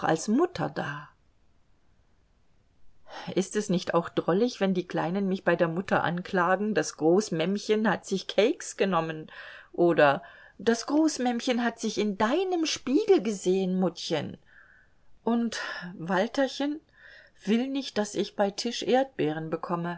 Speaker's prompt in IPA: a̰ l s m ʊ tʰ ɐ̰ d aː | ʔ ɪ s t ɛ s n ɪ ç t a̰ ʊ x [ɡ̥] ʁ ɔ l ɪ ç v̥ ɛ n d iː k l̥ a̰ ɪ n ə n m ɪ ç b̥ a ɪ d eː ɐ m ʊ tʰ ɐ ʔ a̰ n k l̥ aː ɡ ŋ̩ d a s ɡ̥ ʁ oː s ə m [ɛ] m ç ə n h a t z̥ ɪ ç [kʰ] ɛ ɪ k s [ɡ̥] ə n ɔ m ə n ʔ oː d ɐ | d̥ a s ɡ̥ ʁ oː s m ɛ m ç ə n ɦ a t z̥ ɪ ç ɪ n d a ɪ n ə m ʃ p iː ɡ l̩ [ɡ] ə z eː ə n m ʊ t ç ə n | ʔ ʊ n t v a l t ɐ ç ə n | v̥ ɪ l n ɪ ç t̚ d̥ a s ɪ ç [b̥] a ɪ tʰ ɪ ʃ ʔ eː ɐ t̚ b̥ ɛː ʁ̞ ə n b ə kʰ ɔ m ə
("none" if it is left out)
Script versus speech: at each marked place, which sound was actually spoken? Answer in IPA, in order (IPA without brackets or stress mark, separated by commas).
d̥, ɛ, kʰ, ɡ̥, ɡ, b̥